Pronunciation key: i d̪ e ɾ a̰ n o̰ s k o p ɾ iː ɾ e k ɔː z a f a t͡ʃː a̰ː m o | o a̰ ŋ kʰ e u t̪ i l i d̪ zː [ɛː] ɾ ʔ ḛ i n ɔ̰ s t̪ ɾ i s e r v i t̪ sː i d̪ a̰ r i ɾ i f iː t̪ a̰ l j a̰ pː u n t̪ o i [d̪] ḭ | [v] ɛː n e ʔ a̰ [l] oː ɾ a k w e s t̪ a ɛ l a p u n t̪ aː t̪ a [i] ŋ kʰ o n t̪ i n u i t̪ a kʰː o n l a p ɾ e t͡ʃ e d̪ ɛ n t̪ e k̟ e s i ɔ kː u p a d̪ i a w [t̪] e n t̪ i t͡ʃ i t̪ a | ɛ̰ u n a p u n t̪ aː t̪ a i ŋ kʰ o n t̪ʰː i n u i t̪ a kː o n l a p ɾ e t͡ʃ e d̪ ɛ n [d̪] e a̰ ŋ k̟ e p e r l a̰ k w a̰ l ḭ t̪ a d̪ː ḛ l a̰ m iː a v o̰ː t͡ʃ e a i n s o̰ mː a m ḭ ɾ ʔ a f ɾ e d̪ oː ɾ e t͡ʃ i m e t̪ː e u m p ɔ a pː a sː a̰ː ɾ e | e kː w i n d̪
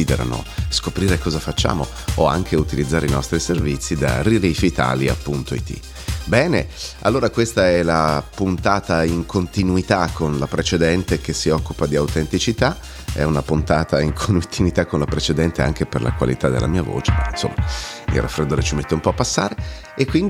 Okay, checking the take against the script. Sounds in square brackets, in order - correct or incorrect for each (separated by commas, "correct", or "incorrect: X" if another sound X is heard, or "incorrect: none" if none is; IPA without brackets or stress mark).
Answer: incorrect: aː, incorrect: t̪, incorrect: b, incorrect: lː, correct, correct, incorrect: t̪